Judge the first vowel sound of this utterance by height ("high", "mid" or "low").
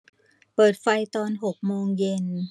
mid